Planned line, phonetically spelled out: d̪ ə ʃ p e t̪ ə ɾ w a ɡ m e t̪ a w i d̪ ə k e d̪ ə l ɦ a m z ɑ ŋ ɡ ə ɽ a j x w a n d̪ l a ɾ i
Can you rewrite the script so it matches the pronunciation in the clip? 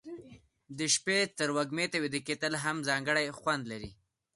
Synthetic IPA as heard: d̪ ə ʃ p e t̪ ə ɾ w a ɡ m e t̪ a w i d̪ ə k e t̪ ə l ɦ a m z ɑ ŋ ɡ ə ɽ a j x w a n d̪ l a ɾ i